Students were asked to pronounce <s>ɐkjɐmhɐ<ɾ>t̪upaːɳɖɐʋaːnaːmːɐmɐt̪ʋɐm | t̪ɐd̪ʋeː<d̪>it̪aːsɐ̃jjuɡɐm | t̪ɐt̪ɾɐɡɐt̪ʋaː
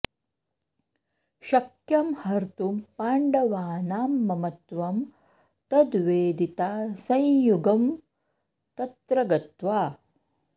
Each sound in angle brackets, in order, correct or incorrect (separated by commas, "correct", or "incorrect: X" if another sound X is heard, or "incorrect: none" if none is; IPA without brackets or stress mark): incorrect: ʃ, correct, correct